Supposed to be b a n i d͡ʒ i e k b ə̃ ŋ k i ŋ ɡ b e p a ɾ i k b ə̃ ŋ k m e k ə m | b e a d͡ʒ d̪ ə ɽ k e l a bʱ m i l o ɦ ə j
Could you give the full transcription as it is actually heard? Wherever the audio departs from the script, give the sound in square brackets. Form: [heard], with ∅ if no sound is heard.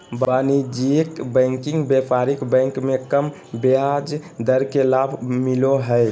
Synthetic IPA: b a n i d͡ʒ i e k b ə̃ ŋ k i ŋ ɡ b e p a ɾ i k b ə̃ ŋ k m e k ə m | b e a d͡ʒ d̪ ə [ɾ] k e l a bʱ m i l o ɦ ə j